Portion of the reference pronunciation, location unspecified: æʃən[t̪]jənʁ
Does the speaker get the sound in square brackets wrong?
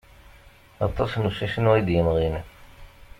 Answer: yes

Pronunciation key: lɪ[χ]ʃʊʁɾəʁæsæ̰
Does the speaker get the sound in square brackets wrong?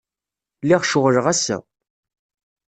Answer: yes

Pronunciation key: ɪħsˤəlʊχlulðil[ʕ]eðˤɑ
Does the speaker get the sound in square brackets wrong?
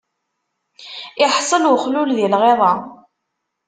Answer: yes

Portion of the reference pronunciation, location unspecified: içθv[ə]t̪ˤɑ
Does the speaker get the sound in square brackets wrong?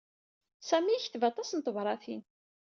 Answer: yes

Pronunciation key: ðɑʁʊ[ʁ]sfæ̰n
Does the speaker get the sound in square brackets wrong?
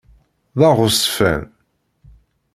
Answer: yes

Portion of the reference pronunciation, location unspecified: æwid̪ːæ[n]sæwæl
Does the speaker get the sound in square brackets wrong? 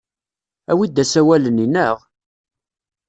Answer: yes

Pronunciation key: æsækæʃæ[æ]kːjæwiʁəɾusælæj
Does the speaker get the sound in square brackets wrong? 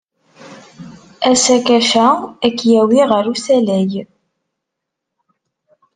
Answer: no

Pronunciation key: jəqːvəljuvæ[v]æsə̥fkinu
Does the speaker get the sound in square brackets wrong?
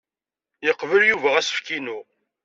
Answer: yes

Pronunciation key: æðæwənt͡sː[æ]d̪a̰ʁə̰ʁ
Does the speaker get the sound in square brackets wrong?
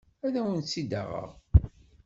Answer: yes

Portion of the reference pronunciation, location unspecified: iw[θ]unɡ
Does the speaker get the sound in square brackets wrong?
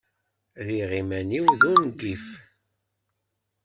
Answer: yes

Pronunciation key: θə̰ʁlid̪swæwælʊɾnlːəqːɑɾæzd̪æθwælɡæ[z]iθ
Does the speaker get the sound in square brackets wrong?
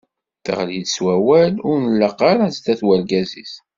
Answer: no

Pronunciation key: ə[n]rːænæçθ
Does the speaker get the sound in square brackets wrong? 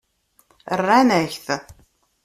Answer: yes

